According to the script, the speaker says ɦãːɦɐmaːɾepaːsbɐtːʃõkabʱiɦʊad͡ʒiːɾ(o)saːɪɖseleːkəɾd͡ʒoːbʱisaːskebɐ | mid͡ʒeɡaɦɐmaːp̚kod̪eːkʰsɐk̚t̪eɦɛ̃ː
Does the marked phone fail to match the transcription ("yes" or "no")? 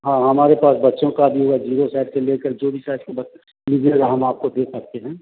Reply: no